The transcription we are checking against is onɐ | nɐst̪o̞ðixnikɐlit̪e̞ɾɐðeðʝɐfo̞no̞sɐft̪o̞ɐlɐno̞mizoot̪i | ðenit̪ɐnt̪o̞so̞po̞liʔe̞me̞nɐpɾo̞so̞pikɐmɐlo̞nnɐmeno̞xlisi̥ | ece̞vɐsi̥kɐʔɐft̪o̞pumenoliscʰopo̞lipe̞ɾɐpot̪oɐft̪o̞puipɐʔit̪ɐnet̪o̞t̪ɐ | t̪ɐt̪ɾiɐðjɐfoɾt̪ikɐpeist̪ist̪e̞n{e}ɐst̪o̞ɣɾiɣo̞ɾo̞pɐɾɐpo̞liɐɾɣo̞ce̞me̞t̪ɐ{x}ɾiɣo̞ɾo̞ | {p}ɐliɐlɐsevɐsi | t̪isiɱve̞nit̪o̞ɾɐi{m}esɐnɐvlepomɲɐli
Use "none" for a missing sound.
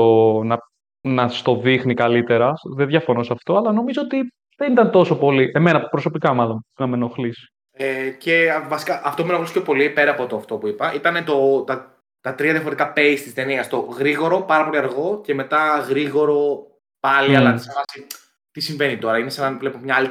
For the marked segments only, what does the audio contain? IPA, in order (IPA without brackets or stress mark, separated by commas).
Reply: i, ɣ, p, n